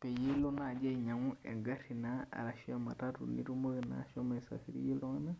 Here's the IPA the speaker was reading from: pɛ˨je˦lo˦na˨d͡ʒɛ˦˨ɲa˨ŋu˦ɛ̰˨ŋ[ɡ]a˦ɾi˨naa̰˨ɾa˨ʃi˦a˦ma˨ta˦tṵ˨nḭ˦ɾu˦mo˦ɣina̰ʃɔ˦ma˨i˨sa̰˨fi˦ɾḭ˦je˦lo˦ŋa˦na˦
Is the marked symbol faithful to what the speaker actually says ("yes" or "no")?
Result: yes